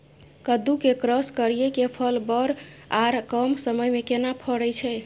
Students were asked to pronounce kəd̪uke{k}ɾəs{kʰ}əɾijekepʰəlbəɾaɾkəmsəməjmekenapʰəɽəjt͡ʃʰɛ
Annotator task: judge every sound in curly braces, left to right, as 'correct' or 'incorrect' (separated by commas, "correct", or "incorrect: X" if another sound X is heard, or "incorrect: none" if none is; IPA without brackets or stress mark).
correct, incorrect: k